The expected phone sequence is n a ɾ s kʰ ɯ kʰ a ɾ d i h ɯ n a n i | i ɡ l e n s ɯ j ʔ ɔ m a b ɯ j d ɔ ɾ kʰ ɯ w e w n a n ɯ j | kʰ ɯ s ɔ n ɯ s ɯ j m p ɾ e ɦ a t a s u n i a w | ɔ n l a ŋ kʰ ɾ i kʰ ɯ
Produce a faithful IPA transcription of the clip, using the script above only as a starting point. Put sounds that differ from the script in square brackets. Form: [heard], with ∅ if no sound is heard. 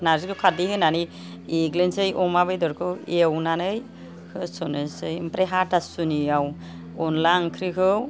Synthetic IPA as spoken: n a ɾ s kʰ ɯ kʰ a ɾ d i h ɯ n a n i | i ɡ l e n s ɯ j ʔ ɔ m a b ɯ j d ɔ ɾ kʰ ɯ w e w n a n ɯ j | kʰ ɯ s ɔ n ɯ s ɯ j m p ɾ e ɦ a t a s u n i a w | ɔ n l a ŋ kʰ ɾ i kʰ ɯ

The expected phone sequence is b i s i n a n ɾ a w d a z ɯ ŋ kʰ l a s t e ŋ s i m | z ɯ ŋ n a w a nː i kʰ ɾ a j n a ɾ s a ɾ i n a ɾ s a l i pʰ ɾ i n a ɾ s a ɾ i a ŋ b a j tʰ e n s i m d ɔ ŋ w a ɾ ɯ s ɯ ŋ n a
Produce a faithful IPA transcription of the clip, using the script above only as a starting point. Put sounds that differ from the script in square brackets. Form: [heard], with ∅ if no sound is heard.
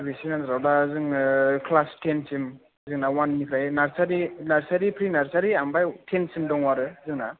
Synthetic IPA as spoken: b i s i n a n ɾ a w d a z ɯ ŋ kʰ l a s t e [n] s i m | z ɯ ŋ n a w a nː i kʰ ɾ a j n a ɾ s a ɾ i n a ɾ s a [ɾ] i pʰ ɾ i n a ɾ s a ɾ i a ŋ b a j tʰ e n s i m d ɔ ŋ w a ɾ ɯ [z] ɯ ŋ n a

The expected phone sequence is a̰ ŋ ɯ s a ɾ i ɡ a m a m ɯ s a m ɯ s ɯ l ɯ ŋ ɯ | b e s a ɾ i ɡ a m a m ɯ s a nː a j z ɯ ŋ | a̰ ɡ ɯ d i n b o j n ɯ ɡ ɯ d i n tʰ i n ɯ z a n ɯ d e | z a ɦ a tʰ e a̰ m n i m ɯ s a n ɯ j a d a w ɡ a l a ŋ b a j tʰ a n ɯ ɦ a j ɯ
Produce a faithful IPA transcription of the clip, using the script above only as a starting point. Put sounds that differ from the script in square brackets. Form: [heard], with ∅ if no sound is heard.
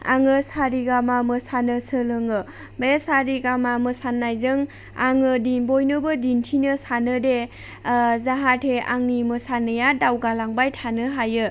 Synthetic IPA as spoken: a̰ ŋ ɯ s a ɾ i ɡ a m a m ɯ s a [n] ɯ s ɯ l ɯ ŋ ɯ | b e s a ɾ i ɡ a m a m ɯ s a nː a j z ɯ ŋ | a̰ [ŋ] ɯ d i n b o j n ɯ [b] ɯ d i n tʰ i n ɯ [s] a n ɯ d e | z a ɦ a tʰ e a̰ [ŋ] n i m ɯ s a n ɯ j a d a w ɡ a l a ŋ b a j tʰ a n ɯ ɦ a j ɯ

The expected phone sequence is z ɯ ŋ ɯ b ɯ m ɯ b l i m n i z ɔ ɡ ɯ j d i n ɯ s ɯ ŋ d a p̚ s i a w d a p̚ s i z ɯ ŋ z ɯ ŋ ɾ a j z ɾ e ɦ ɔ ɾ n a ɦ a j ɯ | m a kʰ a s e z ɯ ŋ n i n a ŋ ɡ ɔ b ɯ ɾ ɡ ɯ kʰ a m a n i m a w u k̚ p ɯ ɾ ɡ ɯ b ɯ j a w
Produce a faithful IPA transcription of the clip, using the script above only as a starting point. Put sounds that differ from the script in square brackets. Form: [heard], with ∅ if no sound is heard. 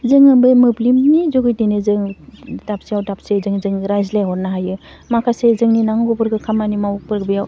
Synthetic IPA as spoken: z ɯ ŋ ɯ b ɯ m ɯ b l i m n i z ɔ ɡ ɯ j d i n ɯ [z] ɯ ŋ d a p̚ s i a w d a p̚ s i z ɯ ŋ z ɯ ŋ ɾ a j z [l] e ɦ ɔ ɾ n a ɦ a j ɯ | m a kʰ a s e z ɯ ŋ n i n a ŋ ɡ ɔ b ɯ ɾ ɡ ɯ kʰ a m a n i m a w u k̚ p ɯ ɾ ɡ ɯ b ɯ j a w

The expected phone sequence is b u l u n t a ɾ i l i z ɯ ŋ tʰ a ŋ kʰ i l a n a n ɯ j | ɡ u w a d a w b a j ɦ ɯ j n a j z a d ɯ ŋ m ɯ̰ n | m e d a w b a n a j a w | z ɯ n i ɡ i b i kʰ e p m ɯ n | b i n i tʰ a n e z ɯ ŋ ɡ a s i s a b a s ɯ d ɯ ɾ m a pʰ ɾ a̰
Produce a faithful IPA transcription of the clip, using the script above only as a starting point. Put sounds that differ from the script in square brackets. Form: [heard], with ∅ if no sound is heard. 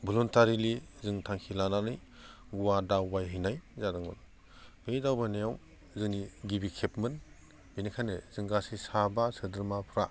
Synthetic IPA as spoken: b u l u n t a ɾ i l i z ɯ ŋ tʰ a ŋ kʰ i l a n a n ɯ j | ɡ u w a d a w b a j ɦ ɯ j n a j z a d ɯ ŋ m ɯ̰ n | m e d a w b a n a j a w | z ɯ n i ɡ i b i kʰ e p m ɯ n | b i n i [kʰ] a n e z ɯ ŋ ɡ a s i s a b a s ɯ d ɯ ɾ m a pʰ ɾ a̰

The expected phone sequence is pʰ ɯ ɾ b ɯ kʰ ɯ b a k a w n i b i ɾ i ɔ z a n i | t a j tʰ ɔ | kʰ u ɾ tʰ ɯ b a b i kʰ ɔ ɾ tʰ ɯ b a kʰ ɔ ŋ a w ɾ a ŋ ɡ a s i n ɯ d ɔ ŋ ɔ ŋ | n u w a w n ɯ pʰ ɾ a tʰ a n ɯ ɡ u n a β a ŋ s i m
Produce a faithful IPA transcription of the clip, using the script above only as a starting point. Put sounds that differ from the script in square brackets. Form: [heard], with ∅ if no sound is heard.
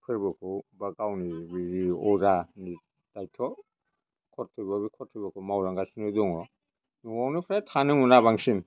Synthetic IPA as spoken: pʰ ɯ ɾ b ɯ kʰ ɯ b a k a w n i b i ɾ i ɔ z a n i | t a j tʰ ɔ | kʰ [ɔ] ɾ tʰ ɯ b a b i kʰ ɔ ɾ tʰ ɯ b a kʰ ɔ [m] a w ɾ a ŋ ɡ a s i n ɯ d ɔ ŋ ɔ [∅] | n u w a w n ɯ pʰ ɾ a tʰ a n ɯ [ŋ] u n a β a ŋ s i m

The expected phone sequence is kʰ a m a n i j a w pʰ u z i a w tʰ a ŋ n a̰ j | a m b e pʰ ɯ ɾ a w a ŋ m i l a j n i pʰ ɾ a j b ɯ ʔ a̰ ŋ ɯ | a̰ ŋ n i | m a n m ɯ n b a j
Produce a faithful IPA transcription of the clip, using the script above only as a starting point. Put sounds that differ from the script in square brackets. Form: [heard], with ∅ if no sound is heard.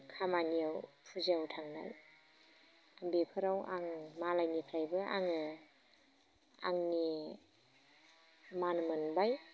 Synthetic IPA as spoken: kʰ a m a n i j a w pʰ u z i a w tʰ a ŋ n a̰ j | a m b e pʰ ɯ ɾ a w a ŋ m [a] l a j n i pʰ ɾ a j b ɯ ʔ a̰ ŋ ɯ | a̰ ŋ n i | m a n m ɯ n b a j

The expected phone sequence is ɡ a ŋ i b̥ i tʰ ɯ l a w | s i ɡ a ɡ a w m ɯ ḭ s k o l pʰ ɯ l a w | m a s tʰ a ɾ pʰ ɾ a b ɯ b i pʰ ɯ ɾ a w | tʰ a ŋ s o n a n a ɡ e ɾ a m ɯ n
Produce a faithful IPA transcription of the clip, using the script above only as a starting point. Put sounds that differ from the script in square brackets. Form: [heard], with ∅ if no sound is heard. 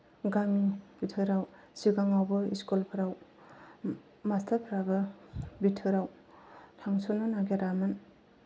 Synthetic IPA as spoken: ɡ a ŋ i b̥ i tʰ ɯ [ɾ] a w | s i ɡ a [ŋ] a w [b] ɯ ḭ s k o l pʰ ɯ [ɾ] a w | m a s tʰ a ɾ pʰ ɾ a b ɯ b i [tʰ] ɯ ɾ a w | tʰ a ŋ s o n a n a ɡ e ɾ a m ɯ n

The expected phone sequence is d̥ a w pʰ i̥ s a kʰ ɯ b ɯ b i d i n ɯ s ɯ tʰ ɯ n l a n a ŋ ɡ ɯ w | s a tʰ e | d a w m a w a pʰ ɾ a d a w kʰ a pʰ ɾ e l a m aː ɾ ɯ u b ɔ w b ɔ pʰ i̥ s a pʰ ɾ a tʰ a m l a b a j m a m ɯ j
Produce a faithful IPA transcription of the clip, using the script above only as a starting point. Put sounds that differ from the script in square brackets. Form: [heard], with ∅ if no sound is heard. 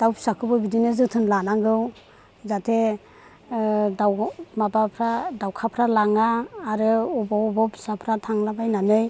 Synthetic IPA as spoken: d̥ a w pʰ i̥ s a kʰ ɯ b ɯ b i d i n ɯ [z] ɯ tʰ ɯ n l a n a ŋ ɡ ɯ w | [z] a tʰ e | d a w m a [b] a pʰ ɾ a d a w kʰ a pʰ ɾ [a] l a [ŋ] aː ɾ ɯ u b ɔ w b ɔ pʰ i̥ s a pʰ ɾ a tʰ a [ŋ] l a b a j [n] a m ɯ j

